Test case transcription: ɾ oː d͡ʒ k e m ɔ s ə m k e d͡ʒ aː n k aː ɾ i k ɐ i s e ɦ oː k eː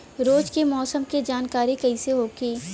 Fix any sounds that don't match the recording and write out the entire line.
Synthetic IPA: ɾ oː d͡ʒ k e m ɔː s ə m k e d͡ʒ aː n k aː ɾ i k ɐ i s e ɦ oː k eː